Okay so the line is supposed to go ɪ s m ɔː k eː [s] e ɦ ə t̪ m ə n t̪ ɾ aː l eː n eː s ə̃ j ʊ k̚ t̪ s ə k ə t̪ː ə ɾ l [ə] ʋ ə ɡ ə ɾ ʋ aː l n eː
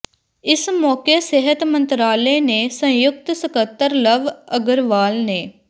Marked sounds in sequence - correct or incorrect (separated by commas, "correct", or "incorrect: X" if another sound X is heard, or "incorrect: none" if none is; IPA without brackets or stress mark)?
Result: correct, correct